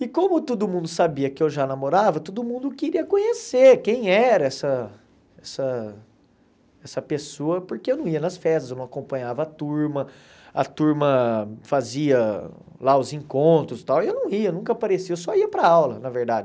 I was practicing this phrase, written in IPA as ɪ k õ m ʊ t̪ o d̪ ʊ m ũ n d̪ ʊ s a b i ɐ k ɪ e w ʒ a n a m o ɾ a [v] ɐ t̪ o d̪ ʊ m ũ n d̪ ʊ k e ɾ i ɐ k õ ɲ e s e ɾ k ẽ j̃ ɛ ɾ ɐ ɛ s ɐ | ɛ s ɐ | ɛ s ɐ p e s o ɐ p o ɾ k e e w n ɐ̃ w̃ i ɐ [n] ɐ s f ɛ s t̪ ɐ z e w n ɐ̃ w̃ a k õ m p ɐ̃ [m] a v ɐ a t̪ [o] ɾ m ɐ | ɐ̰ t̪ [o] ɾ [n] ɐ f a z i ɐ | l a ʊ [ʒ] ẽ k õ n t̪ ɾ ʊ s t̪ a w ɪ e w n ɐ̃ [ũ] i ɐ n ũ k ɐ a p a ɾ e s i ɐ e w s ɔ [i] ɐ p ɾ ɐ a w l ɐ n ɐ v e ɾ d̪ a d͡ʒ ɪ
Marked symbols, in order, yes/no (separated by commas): yes, yes, no, no, no, no, no, no, yes